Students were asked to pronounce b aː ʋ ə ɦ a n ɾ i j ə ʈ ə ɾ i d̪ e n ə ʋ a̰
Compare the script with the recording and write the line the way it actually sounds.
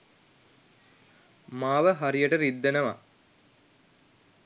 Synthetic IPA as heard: m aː ʋ ə ɦ a ɾ i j ə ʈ ə ɾ i d̪ː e n ə ʋ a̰